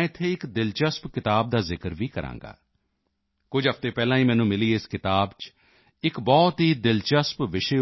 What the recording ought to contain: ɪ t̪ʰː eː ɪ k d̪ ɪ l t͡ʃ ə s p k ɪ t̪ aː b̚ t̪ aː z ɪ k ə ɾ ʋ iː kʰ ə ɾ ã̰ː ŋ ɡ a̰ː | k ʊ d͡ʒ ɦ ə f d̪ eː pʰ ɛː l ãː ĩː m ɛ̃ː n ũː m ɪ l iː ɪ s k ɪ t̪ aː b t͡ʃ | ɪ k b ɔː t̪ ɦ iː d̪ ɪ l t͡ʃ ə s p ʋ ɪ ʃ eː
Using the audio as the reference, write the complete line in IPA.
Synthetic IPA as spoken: ɪ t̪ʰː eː ɪ k d̪ ɪ l t͡ʃ ə s p k ɪ t̪ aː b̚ d̪ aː z ɪ k ə ɾ ʋ iː k ə ɾ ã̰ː ŋ ɡ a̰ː | k ʊ d͡ʒ ɦ ə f t̪ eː p ɛː l ãː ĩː m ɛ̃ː n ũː m ɪ l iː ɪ s k ɪ t̪ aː b t͡ʃ | ɪ k b ɔː t̪ ɦ iː d̪ ɪ l t͡ʃ ə s p ʋ ɪ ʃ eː

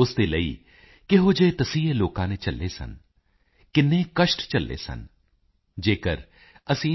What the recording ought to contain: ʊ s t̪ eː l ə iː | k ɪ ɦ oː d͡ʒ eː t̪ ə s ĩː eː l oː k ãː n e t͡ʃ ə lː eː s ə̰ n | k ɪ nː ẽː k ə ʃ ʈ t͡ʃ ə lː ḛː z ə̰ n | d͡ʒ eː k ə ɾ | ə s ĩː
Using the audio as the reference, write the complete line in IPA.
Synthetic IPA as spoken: ʊ s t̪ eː l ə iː | k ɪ ɦ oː d͡ʒ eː t̪ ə s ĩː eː l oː k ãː n e t͡ʃ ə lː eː s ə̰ n | k ɪ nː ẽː k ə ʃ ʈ t͡ʃ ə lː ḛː s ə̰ n | d͡ʒ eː k ə ɾ | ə s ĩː

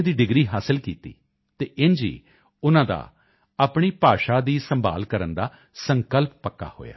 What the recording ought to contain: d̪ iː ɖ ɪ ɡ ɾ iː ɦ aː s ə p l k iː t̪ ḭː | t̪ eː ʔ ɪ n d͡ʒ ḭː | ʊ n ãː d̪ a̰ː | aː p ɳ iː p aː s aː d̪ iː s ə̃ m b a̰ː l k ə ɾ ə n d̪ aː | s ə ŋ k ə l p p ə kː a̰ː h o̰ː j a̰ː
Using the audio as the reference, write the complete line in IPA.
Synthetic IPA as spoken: d̪ iː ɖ ɪ ɡ ɾ iː ɦ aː s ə l k iː t̪ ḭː | t̪ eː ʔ ɪ n d͡ʒ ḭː | ʊ n ãː d̪ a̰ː | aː p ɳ iː p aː ʃ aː d̪ iː s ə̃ m b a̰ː l k ə ɾ ə n d̪ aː | s ə ŋ k ə l p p ə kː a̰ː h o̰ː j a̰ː

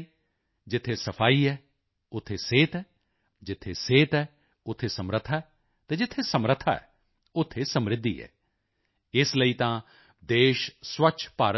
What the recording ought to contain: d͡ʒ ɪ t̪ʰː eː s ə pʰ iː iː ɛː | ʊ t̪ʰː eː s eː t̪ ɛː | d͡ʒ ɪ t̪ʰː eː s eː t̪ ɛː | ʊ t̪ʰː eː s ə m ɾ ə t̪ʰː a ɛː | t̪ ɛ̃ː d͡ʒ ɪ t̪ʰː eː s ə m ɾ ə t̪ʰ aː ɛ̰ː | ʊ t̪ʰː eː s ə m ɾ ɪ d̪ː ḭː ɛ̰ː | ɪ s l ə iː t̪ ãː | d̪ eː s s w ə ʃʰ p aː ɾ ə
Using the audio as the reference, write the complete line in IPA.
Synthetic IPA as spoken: d͡ʒ ɪ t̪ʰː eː s ə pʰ aː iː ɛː | ʊ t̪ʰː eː s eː t̪ ɛː | d͡ʒ ɪ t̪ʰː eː s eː t̪ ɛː | ʊ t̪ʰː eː s ə m ɾ ə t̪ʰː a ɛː | t̪ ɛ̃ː d͡ʒ ɪ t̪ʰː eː s ə m ɾ ə t̪ʰ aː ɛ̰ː | ʊ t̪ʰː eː s ə m ɾ ɪ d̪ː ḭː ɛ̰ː | ɪ s l ə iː t̪ ãː | d̪ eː ʃ s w ə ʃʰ p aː ɾ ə

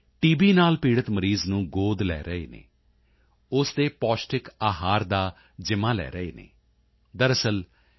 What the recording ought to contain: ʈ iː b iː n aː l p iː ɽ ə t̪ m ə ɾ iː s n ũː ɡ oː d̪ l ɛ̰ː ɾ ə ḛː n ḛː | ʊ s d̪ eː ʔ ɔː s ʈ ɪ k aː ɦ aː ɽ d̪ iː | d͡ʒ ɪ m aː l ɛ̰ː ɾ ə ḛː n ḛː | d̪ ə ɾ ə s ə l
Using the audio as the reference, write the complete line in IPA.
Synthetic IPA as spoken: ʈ iː b iː n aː l p iː ɽ ə t̪ m ə ɾ iː z n ũː ɡ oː d̪ l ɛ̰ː ɾ ə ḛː n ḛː | ʊ s d̪ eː p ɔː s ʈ ɪ k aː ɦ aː ɾ d̪ aː | d͡ʒ ɪ m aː l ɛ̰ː ɾ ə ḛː n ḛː | d̪ ə ɾ ə s ə l

